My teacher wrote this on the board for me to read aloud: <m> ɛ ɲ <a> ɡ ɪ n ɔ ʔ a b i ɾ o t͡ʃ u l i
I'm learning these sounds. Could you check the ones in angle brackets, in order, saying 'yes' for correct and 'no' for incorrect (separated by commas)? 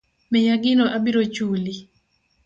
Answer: yes, yes